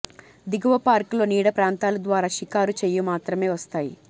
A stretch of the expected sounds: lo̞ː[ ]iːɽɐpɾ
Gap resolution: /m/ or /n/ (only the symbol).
n